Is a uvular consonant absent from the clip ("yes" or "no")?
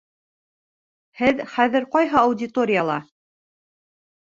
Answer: no